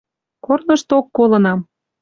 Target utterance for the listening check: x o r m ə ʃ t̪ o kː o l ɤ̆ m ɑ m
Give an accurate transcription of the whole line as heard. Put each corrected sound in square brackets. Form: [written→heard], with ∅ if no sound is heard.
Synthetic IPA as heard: [x→k] o r [m→n] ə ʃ t̪ o kː o l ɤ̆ [m→n] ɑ m

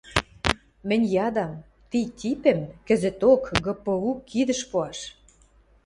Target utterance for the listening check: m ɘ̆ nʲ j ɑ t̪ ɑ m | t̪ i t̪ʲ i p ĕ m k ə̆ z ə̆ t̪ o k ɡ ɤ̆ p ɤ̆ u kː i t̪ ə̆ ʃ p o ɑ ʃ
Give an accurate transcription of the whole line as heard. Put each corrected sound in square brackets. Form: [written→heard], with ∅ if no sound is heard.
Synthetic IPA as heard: m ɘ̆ nʲ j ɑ [t̪→d̪] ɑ m | t̪ i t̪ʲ i p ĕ m k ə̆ z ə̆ t̪ o k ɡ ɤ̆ p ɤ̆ u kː i [t̪→d̪] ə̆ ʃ p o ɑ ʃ

